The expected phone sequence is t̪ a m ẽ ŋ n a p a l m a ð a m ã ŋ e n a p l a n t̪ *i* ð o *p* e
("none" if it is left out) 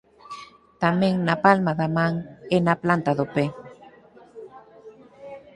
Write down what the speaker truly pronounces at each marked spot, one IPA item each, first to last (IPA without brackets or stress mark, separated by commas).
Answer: a, p